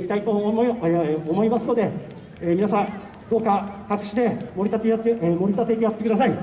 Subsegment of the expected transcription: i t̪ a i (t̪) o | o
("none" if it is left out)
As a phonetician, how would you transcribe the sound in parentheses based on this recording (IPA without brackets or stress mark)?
t̪